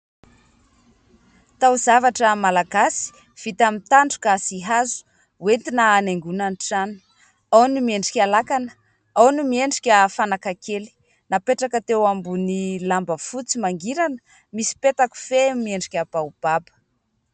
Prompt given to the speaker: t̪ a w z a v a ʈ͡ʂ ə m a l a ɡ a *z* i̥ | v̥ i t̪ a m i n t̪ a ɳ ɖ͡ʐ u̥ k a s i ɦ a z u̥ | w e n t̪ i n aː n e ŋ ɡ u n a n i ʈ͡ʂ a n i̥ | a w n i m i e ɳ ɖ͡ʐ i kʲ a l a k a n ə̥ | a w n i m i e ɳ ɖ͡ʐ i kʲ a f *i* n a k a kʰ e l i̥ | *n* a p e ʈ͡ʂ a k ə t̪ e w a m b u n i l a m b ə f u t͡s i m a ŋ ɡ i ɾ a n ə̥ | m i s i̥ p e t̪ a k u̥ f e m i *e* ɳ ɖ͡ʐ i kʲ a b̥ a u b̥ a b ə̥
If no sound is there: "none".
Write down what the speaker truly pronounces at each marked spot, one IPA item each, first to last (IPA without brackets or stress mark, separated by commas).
s, a, n, e